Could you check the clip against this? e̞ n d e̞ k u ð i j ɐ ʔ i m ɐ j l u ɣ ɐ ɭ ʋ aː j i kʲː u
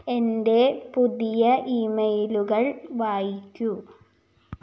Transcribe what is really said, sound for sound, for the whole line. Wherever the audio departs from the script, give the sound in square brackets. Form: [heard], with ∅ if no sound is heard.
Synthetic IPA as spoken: e̞ n d e̞ [p] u ð i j ɐ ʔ i m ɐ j l u ɣ ɐ ɭ ʋ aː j i kʲː u